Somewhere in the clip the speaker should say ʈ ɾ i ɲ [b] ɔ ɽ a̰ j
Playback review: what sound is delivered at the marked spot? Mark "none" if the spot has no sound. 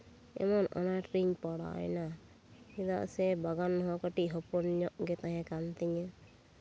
p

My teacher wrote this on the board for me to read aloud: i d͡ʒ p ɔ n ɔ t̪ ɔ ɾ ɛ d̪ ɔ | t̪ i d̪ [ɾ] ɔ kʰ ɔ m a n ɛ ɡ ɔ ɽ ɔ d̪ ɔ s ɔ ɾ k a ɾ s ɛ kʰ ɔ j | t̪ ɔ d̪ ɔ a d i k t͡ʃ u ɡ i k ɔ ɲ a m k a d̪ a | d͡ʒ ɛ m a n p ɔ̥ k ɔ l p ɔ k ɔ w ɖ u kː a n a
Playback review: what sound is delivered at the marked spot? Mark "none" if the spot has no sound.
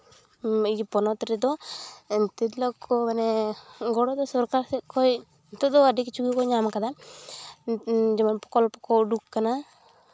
l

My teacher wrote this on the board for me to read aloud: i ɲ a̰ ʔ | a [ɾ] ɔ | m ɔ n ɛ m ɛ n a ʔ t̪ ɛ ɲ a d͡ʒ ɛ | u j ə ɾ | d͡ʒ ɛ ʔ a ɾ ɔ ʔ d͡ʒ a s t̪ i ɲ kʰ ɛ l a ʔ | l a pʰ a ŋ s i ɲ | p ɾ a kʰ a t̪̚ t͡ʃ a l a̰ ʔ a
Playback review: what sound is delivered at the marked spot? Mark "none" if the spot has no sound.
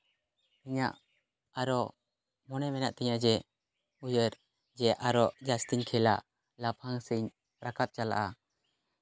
ɾ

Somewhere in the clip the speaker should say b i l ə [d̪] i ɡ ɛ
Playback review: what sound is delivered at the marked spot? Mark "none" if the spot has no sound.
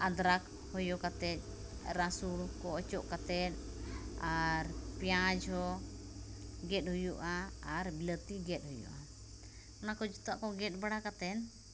t̪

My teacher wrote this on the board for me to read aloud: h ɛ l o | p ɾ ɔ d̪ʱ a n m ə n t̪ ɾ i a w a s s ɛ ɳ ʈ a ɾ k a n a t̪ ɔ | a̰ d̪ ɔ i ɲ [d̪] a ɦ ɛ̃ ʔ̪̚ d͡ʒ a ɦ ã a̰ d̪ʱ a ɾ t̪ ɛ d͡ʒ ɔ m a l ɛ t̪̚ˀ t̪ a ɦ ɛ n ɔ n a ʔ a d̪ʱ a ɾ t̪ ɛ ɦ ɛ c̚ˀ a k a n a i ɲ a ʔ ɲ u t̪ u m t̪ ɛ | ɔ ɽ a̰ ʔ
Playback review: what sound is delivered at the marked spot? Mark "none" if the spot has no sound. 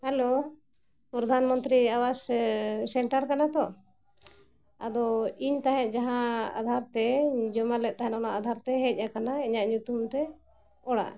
t̪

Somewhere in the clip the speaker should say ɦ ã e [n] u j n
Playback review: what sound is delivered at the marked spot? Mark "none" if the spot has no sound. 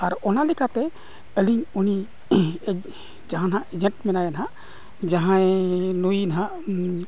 n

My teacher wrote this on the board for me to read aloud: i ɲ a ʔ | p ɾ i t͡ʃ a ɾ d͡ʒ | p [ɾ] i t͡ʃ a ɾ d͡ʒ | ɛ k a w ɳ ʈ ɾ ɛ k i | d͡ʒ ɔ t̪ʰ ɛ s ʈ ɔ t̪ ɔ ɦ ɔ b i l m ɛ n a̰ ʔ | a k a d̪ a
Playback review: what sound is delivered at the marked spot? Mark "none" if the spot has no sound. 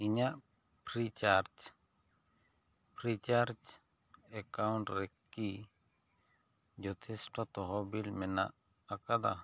ɾ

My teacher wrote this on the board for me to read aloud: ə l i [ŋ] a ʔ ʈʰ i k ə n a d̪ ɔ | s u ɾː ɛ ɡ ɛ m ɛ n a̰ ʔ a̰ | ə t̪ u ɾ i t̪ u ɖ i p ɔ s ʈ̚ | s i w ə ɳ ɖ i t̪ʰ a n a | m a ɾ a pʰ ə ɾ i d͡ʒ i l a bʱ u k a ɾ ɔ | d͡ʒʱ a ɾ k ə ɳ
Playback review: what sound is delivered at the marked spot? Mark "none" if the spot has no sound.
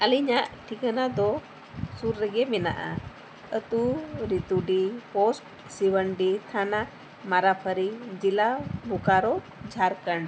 ɲ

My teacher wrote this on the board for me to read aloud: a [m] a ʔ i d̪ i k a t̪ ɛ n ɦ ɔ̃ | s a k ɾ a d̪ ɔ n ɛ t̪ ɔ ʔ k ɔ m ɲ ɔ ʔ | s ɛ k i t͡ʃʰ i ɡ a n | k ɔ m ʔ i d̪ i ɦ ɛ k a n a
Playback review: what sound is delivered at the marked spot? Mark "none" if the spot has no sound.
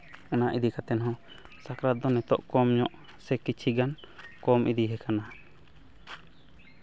n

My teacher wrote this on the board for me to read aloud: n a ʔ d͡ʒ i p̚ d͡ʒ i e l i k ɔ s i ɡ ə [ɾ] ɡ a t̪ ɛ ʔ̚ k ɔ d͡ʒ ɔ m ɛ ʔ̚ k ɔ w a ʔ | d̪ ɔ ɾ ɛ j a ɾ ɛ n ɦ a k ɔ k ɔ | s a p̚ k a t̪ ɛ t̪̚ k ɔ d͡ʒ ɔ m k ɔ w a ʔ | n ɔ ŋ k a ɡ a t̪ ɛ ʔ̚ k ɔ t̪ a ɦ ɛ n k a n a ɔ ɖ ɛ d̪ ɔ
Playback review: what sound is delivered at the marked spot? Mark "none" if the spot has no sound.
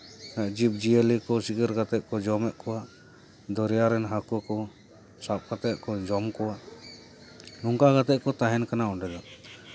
ɾ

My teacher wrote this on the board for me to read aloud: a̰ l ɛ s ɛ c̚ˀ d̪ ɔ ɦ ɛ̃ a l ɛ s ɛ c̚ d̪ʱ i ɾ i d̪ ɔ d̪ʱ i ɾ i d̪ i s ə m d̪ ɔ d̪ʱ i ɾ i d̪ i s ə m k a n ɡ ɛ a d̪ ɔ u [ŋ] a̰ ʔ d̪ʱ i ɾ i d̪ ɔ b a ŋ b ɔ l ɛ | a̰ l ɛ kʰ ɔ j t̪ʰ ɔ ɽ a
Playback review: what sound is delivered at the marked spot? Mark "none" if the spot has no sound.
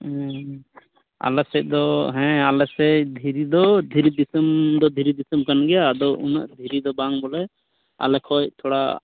n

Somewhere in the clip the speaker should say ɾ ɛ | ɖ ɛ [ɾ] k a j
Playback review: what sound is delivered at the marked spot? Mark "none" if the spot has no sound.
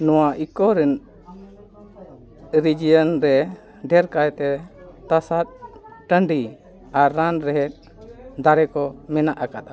ɾ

